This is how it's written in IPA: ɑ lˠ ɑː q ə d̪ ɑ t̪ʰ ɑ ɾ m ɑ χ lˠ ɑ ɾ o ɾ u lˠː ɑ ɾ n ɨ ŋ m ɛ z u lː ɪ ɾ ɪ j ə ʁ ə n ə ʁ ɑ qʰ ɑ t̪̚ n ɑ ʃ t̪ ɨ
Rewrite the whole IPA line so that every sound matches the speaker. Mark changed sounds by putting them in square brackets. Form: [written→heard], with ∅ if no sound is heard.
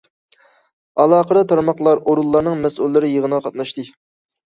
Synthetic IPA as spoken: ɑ lˠ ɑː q ə d̪ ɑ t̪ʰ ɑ ɾ m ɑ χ lˠ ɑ ɾ o ɾ u lˠː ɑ ɾ n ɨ ŋ m ɛ [z→s] u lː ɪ ɾ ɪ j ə ʁ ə n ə ʁ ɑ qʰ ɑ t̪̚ n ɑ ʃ t̪ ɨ